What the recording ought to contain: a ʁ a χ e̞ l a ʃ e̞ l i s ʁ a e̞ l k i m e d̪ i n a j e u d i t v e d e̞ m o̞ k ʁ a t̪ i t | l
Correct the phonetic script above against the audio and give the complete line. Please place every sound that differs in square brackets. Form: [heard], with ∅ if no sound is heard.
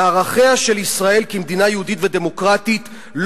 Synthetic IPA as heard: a ʁ a χ e̞ [∅] a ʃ e̞ l i s ʁ a e̞ l k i m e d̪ i n a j e u d i t v e d e̞ m o̞ k ʁ a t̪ i t | l